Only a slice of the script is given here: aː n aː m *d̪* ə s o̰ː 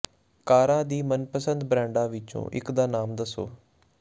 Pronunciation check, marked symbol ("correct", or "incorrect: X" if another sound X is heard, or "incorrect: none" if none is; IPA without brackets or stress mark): correct